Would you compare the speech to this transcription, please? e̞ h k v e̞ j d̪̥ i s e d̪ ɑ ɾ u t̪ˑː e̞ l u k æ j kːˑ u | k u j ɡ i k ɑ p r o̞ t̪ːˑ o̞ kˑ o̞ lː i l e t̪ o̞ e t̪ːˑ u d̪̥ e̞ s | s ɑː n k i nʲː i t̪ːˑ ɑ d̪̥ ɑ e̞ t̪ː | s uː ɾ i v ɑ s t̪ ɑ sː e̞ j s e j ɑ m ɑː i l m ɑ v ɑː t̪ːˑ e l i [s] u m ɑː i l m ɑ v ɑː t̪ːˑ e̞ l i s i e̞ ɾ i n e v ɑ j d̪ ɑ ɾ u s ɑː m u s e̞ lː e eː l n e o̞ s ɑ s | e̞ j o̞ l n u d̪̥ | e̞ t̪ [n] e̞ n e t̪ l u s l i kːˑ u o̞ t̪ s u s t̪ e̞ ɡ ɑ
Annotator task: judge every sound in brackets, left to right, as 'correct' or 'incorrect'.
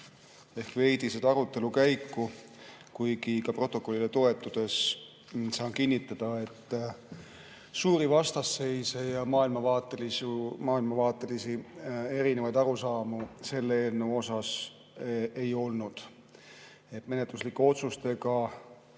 correct, incorrect

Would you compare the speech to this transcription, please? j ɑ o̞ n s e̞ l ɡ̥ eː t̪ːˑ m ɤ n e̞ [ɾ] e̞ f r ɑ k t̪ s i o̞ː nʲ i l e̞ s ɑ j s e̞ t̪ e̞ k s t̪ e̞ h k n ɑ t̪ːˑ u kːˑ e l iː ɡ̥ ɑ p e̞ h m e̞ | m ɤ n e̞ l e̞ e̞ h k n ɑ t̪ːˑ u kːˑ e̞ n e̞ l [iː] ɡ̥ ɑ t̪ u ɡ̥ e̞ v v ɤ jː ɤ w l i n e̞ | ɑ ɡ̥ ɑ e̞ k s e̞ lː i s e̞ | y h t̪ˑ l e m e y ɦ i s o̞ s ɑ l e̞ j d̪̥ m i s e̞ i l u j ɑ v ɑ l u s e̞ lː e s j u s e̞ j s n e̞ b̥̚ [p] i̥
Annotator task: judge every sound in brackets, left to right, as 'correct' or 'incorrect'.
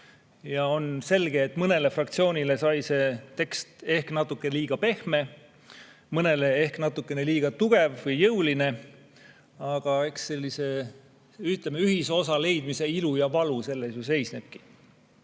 incorrect, correct, incorrect

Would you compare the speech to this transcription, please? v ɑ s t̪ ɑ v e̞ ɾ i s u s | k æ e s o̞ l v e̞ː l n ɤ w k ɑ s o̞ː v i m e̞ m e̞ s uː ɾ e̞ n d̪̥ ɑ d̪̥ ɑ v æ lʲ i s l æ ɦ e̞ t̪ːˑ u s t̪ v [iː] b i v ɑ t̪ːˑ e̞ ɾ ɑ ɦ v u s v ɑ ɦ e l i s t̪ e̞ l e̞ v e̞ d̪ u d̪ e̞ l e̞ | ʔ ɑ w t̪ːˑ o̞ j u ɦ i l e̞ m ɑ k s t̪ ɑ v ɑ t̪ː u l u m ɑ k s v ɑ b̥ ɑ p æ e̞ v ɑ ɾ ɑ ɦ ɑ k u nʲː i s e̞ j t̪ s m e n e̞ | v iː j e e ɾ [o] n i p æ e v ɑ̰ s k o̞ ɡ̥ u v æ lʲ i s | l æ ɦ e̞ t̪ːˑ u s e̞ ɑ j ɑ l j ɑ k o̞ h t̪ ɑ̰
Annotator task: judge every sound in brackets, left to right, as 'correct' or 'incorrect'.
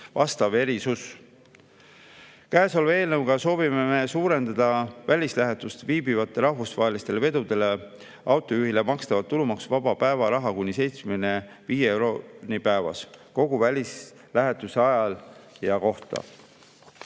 correct, correct

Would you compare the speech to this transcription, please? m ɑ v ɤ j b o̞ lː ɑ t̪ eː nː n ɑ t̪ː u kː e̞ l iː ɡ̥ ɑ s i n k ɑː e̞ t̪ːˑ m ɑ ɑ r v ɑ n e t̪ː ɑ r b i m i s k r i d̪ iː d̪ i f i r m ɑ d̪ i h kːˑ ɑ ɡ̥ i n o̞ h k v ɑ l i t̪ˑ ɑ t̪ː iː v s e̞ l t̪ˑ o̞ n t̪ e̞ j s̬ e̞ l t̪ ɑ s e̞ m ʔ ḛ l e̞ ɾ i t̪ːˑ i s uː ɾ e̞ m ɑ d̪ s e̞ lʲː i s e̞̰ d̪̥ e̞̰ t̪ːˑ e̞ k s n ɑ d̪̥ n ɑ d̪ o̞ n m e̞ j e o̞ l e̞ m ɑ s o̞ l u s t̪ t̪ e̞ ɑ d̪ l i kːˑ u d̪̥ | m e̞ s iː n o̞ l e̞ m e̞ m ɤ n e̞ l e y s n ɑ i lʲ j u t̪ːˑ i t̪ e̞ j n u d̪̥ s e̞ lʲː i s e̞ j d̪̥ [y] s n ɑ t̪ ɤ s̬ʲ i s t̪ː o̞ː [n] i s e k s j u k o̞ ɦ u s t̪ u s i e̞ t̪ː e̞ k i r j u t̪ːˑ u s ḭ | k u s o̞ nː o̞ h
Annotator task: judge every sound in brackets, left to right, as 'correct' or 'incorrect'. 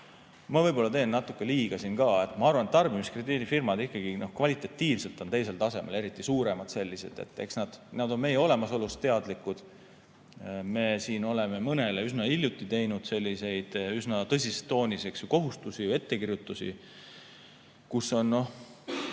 correct, correct

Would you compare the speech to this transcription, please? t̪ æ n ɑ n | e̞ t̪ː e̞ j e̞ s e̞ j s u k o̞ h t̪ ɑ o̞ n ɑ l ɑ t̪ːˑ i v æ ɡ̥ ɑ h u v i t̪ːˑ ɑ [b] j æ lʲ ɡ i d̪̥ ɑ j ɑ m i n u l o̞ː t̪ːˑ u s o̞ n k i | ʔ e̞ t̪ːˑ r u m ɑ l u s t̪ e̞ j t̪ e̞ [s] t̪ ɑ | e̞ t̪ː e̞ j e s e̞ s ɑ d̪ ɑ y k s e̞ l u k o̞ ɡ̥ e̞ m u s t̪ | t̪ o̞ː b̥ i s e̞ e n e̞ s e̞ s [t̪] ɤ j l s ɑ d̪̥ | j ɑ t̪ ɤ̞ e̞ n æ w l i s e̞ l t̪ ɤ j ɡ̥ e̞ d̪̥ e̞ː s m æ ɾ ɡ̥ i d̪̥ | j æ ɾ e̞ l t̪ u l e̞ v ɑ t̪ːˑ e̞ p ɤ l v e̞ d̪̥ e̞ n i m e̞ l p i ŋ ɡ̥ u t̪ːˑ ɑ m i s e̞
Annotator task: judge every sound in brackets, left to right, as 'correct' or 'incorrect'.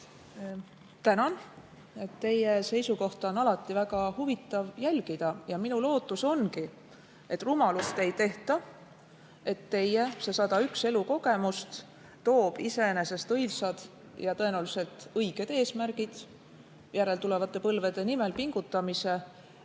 incorrect, incorrect, correct

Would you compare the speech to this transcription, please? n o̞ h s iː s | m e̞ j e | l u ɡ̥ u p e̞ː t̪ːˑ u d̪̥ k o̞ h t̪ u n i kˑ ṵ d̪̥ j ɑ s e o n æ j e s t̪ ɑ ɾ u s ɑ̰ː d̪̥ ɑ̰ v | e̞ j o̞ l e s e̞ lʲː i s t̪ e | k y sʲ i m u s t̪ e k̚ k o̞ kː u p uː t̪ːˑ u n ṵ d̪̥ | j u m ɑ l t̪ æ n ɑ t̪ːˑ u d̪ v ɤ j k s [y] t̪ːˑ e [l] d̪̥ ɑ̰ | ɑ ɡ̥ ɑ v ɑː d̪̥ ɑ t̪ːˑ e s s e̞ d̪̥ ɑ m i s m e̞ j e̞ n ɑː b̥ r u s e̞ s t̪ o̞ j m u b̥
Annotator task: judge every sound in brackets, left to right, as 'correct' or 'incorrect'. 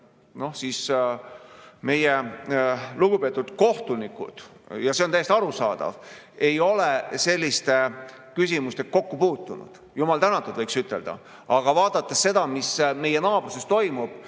correct, correct

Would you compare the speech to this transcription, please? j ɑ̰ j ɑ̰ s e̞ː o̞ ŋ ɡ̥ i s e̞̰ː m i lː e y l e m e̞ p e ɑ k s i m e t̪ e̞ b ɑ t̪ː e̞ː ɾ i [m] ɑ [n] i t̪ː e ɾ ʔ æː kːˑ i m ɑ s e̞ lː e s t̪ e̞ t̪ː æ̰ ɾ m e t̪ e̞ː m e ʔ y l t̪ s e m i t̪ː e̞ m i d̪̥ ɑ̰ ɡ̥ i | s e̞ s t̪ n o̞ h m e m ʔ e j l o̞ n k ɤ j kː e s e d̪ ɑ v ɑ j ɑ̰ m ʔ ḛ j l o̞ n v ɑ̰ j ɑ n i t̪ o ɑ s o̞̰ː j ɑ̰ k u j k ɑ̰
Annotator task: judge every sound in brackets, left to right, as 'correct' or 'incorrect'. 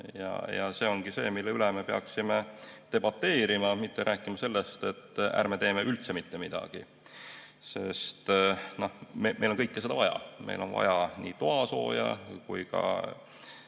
correct, incorrect

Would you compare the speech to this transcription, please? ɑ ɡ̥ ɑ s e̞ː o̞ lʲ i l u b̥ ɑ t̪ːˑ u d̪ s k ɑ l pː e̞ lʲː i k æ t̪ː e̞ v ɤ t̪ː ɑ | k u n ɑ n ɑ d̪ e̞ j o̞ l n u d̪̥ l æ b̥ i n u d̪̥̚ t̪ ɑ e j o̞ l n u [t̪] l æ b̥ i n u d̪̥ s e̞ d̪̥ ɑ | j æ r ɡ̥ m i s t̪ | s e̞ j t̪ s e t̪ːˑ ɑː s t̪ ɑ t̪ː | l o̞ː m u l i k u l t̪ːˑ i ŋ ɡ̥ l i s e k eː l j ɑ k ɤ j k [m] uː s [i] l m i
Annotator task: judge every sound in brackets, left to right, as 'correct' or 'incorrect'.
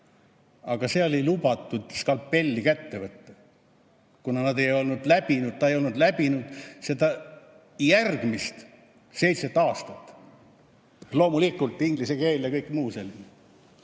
incorrect, correct, incorrect

